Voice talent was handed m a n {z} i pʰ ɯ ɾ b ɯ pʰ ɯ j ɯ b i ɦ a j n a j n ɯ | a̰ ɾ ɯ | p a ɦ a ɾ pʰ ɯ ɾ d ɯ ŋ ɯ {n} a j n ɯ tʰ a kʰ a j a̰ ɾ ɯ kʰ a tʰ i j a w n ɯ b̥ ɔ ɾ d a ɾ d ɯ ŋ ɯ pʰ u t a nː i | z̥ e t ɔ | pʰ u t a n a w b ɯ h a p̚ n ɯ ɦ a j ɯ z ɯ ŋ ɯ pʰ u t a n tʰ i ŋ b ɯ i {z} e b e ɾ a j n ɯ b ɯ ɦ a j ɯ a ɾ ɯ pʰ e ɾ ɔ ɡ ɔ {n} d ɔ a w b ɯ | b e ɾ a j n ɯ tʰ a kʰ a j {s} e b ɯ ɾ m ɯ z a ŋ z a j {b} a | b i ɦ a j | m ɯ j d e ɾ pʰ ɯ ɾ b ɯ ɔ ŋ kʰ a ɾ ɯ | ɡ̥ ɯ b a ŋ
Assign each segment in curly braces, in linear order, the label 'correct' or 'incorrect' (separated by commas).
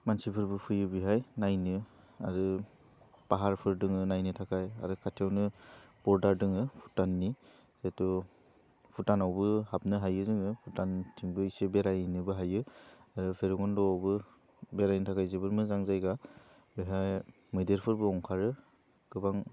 incorrect, correct, incorrect, correct, incorrect, incorrect